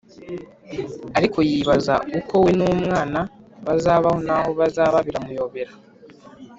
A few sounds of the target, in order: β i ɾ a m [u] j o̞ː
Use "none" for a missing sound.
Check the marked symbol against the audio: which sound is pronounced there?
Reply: u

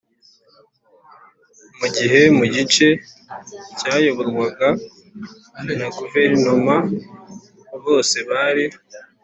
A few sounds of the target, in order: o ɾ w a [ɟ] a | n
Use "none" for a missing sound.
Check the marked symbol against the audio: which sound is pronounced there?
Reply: ɡ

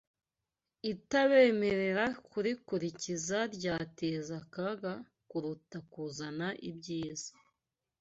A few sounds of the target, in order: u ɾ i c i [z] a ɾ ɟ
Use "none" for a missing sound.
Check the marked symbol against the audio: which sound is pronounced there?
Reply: z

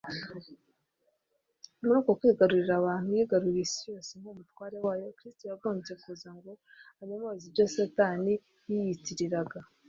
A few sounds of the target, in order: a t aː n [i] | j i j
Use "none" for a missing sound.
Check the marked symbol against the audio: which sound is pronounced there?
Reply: i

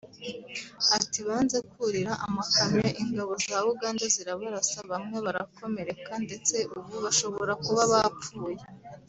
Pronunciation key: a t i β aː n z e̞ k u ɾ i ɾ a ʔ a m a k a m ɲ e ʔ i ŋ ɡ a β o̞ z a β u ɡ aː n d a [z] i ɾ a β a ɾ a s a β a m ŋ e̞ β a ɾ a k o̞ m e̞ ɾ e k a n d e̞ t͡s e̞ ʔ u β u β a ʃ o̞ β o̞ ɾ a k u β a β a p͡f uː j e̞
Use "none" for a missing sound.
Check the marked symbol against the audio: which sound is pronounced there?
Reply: z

